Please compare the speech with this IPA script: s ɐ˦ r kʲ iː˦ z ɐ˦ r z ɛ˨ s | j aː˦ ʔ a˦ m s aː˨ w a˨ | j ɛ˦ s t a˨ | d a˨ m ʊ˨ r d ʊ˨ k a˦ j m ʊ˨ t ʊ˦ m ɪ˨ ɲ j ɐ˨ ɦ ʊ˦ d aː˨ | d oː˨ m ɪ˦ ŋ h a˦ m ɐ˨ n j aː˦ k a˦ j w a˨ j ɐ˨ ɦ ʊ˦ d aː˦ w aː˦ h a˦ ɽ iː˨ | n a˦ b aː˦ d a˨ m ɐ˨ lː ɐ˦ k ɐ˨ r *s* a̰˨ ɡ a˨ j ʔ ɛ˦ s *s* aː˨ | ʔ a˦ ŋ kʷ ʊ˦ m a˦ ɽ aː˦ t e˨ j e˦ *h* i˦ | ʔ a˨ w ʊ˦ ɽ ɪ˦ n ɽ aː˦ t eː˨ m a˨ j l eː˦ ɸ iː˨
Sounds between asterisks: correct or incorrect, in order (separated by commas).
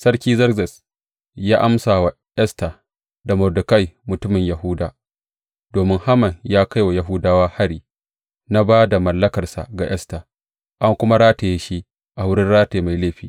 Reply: correct, incorrect, incorrect